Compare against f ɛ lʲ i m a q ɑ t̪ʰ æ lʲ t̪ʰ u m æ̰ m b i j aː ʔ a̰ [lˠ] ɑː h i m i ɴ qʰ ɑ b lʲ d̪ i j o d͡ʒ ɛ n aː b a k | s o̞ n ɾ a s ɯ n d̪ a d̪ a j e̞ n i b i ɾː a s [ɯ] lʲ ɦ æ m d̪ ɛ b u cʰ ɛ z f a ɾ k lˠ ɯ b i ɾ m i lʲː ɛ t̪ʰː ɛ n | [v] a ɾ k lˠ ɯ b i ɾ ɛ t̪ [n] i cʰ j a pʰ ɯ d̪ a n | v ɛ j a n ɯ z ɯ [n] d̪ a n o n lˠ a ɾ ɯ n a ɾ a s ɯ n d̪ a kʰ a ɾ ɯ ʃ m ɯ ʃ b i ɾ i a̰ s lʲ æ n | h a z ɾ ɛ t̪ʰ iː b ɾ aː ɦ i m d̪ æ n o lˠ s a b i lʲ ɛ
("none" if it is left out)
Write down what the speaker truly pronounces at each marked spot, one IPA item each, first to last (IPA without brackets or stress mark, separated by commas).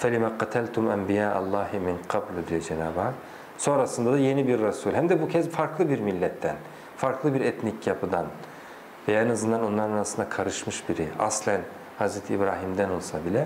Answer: lˠː, u, f, n, n